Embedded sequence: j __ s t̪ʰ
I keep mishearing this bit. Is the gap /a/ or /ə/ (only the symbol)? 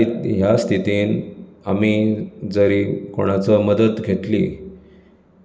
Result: a